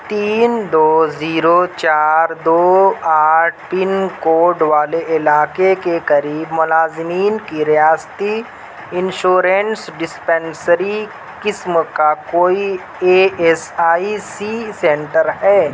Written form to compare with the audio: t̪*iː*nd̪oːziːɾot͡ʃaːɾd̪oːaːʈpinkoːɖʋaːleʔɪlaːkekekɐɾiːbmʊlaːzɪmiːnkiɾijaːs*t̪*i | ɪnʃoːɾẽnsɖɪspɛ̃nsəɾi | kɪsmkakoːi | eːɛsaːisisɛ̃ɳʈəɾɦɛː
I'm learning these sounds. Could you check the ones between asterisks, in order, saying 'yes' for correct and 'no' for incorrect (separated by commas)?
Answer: yes, yes